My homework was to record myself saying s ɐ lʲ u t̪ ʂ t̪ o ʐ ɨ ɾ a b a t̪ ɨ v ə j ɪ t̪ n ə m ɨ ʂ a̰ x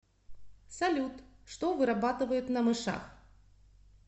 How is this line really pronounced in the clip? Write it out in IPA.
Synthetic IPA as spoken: s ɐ lʲ u t̪ ʂ t̪ o v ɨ ɾ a b a t̪ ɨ v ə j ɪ t̪ n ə m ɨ ʂ a̰ x